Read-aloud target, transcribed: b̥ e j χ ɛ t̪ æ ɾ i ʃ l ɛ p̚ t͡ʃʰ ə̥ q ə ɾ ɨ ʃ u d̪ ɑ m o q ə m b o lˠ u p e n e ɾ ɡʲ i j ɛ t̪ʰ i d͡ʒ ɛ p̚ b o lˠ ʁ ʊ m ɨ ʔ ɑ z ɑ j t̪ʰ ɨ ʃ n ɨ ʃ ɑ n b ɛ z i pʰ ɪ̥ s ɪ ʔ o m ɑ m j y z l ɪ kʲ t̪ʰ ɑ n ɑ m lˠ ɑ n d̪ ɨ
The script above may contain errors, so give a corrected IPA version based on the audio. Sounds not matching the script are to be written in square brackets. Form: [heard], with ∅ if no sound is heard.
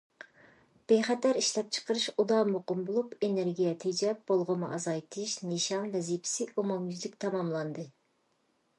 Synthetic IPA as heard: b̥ e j χ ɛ t̪ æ ɾ i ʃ l ɛ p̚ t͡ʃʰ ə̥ q ə ɾ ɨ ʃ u d̪ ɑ m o q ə m b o lˠ u p e n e ɾ ɡʲ i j ɛ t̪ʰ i d͡ʒ ɛ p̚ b o lˠ ʁ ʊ m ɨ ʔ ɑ z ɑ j t̪ʰ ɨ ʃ n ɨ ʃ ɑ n [v] ɛ z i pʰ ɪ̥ s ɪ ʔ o m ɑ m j y z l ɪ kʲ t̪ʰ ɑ [m] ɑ m lˠ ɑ n d̪ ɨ

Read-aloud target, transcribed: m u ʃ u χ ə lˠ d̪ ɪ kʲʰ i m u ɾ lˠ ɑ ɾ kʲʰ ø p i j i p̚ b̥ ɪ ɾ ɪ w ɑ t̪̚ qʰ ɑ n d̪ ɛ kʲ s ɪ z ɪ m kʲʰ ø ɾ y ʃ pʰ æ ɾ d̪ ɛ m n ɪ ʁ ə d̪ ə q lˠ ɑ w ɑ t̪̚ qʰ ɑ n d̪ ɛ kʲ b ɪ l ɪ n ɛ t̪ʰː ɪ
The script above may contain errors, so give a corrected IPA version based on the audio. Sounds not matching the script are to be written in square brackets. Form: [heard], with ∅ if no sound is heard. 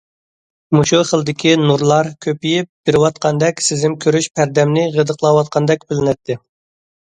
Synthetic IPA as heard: m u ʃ u χ ə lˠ d̪ ɪ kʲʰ i [n] u ɾ lˠ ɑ ɾ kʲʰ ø p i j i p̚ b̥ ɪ ɾ ɪ w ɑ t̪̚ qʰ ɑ n d̪ ɛ kʲ s ɪ z ɪ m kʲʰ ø ɾ y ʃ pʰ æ ɾ d̪ ɛ m n ɪ ʁ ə d̪ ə q lˠ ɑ w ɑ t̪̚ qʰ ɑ n d̪ ɛ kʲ b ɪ l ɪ n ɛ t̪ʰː ɪ

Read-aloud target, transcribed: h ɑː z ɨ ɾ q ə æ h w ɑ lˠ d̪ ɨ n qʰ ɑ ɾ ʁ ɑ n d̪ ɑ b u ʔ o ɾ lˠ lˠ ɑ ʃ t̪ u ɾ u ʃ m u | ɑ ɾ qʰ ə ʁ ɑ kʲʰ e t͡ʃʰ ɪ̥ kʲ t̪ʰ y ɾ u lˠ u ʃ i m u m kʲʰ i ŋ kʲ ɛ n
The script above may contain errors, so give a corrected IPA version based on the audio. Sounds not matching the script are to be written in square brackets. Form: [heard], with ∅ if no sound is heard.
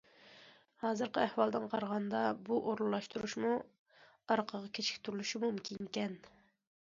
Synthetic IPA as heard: h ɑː z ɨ ɾ q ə æ h w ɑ lˠ d̪ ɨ n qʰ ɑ ɾ ʁ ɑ n d̪ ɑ b u ʔ o ɾ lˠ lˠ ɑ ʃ t̪ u ɾ u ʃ m u | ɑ ɾ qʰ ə ʁ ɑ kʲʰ e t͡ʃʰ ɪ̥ kʲ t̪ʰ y ɾ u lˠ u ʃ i m u m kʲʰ i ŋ kʲ ɛ n

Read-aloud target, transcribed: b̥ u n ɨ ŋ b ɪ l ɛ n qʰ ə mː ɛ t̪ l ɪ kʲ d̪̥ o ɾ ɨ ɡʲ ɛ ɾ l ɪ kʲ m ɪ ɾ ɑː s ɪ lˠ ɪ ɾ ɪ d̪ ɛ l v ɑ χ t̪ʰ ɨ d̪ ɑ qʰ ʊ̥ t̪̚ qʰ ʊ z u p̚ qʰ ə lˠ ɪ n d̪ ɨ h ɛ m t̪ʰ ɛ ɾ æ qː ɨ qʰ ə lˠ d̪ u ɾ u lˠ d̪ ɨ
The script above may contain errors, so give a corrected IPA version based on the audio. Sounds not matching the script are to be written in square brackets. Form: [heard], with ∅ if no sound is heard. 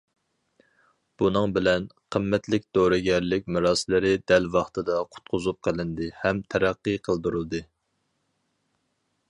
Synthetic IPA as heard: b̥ u n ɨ ŋ b ɪ l ɛ n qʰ ə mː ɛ t̪ l ɪ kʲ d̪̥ o ɾ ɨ ɡʲ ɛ ɾ l ɪ kʲ m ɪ ɾ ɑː s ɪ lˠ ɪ ɾ ɪ d̪ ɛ l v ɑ χ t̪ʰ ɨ d̪ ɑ qʰ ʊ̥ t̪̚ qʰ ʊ z u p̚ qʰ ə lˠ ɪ n d̪ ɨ h ɛ m t̪ʰ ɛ ɾ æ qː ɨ qʰ ə lˠ d̪ u ɾ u lˠ d̪ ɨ

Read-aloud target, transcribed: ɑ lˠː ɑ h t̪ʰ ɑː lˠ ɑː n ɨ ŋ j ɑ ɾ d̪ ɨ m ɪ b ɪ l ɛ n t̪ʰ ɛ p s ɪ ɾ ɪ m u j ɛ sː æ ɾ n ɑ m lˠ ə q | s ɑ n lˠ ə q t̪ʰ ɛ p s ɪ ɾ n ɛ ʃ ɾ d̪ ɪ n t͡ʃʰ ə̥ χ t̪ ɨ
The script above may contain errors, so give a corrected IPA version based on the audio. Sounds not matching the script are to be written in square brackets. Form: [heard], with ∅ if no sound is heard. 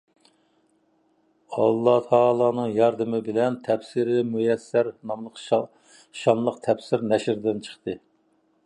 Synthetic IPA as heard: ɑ lˠː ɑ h t̪ʰ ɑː lˠ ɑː n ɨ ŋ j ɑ ɾ d̪ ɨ m ɪ b ɪ l ɛ n t̪ʰ ɛ p s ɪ ɾ ɪ m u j ɛ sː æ ɾ n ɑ m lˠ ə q | [ʃ] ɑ n lˠ ə q t̪ʰ ɛ p s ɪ ɾ n ɛ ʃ ɾ d̪ ɪ n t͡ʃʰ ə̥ χ t̪ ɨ

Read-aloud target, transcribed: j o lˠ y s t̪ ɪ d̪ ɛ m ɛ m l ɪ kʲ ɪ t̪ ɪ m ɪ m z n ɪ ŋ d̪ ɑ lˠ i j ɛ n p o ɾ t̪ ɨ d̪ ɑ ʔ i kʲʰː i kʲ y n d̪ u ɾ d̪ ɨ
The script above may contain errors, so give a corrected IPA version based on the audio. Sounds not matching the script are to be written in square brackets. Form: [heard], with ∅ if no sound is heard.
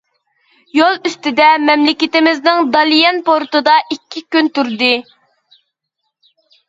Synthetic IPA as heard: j o lˠ y s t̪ ɪ d̪ ɛ m ɛ m l ɪ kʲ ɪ t̪ ɪ m ɪ [∅] z n ɪ ŋ d̪ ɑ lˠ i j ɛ n p o ɾ t̪ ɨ d̪ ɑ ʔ i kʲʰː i kʲ y n [t̪] u ɾ d̪ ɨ

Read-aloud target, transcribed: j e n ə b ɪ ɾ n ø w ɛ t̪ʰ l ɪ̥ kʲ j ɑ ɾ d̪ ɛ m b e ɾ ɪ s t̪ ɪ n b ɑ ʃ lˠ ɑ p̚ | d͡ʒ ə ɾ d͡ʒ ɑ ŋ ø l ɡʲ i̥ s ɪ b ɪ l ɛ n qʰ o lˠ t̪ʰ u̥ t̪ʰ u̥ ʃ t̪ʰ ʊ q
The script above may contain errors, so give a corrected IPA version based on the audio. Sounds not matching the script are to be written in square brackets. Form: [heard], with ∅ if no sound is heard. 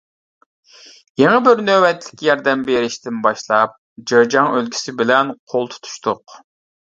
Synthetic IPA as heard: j e [ŋ] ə b ɪ ɾ n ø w ɛ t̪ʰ l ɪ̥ kʲ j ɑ ɾ d̪ ɛ m b e ɾ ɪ [ʃ] t̪ ɪ n b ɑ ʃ lˠ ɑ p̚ | d͡ʒ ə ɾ d͡ʒ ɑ ŋ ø l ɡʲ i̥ s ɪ b ɪ l ɛ n qʰ o lˠ t̪ʰ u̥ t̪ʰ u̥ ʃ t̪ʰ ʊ q

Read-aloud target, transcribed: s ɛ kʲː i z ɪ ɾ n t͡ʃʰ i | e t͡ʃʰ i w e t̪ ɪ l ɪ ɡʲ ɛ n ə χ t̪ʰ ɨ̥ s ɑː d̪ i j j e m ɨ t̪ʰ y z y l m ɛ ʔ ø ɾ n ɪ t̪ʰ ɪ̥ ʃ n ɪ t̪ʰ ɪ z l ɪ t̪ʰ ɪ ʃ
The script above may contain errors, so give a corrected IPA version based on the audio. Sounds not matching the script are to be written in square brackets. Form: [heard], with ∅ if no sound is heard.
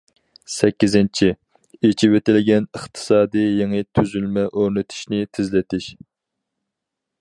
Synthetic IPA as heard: s ɛ kʲː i z ɪ [∅] n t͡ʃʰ i | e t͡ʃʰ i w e t̪ ɪ l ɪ ɡʲ ɛ n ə χ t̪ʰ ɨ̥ s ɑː d̪ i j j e [ŋ] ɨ t̪ʰ y z y l m ɛ ʔ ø ɾ n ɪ t̪ʰ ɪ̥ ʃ n ɪ t̪ʰ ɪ z l ɪ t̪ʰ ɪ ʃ

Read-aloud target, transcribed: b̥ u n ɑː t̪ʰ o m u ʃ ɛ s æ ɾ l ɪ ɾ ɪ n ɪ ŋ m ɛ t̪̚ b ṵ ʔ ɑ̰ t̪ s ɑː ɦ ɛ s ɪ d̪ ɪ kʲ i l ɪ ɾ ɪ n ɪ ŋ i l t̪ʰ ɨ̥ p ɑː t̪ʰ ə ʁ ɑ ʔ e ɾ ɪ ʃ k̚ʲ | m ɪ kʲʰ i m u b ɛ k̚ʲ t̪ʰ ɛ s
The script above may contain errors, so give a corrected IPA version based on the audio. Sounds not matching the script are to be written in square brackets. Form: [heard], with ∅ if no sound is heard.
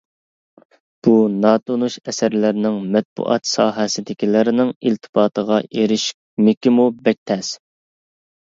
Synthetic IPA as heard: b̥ u n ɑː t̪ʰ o [n] u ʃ ɛ s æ ɾ l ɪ ɾ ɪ n ɪ ŋ m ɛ t̪̚ b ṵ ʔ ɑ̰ t̪ s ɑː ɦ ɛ s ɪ d̪ ɪ kʲ i l ɪ ɾ ɪ n ɪ ŋ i l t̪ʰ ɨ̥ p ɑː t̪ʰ ə ʁ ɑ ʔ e ɾ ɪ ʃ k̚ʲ | m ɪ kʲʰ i m u b ɛ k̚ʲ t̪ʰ ɛ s

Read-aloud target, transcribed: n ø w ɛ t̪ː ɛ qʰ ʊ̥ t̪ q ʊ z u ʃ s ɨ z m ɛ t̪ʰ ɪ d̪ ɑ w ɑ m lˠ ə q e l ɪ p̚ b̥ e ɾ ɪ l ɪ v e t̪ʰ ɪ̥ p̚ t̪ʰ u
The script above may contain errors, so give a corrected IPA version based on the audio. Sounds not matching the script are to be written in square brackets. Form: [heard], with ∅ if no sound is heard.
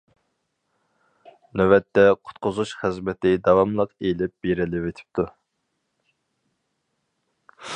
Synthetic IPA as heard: n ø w ɛ t̪ː ɛ qʰ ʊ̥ t̪ q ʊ z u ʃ [χ] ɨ z m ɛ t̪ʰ ɪ d̪ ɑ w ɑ m lˠ ə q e l ɪ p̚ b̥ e ɾ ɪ l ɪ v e t̪ʰ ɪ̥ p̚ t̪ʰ u

